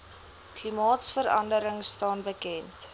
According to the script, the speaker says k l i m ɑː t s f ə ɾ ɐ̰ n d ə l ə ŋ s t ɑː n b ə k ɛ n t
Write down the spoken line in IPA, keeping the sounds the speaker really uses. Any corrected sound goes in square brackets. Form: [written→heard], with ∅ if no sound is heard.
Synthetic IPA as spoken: k l i m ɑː t s f ə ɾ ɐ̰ n d ə [l→ɾ] ə ŋ s t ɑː n b ə k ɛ n t